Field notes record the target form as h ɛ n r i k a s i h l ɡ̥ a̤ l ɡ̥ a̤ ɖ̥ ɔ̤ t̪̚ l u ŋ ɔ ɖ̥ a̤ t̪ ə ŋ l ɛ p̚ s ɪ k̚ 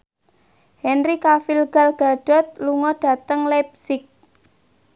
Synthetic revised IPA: h ɛ n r i k a f i l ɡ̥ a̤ l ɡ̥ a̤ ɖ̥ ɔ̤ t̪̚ l u ŋ ɔ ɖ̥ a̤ t̪ ə ŋ l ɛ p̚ s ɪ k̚